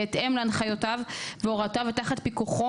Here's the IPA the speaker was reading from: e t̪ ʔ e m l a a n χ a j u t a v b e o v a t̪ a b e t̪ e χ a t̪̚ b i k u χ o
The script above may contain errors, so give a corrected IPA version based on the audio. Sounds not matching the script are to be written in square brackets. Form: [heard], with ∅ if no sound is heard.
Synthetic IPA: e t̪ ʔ e m l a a n χ a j [o] t a v [v] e o [ʁ] a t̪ a [v] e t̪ [a] χ a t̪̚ [p] i k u χ o